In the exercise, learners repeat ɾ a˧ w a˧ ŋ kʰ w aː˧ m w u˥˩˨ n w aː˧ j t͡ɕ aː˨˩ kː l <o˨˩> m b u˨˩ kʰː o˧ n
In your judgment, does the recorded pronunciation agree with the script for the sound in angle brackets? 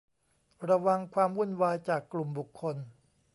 no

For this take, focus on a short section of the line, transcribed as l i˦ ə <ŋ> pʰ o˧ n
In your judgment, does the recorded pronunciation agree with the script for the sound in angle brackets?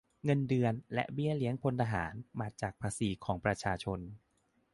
yes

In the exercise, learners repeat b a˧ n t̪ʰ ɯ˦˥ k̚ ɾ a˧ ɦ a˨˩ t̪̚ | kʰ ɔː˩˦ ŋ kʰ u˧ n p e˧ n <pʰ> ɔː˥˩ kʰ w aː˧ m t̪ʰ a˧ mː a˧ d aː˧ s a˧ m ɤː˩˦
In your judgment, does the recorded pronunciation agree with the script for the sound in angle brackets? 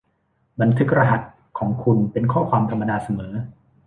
no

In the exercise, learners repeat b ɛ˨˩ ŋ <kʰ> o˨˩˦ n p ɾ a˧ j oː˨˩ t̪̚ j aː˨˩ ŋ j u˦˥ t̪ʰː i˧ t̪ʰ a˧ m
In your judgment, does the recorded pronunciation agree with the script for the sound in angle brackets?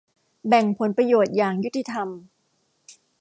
no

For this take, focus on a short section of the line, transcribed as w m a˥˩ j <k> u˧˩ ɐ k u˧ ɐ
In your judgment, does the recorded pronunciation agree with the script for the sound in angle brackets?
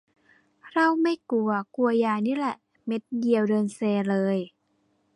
yes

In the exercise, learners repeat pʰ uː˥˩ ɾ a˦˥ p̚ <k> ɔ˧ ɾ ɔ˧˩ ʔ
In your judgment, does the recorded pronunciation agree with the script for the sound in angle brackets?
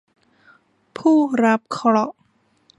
no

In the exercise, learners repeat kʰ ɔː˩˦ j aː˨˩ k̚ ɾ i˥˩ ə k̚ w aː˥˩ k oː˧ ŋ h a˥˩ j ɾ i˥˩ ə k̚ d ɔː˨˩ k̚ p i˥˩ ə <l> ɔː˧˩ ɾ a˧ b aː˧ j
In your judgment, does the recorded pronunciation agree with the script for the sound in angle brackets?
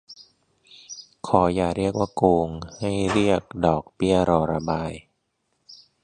no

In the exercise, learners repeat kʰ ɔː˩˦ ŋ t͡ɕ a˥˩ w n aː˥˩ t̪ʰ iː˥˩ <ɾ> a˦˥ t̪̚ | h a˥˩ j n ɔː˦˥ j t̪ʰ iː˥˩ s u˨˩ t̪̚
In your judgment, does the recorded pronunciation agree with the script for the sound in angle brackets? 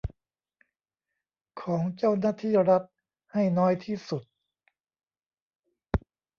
yes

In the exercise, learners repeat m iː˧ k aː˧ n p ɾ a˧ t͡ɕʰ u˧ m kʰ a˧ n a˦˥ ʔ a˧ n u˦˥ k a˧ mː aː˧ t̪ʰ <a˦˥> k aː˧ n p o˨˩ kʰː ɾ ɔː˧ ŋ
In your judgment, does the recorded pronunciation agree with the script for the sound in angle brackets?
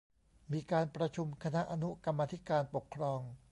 no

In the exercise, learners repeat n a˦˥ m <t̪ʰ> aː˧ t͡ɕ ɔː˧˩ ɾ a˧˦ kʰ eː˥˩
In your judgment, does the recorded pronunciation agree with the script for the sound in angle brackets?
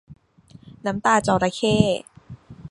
no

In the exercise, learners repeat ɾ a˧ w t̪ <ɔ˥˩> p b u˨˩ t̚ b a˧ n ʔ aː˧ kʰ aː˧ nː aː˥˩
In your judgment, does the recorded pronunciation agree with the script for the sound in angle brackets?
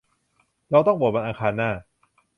yes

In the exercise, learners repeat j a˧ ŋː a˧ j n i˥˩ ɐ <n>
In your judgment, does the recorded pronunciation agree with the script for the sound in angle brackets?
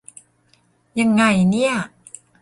no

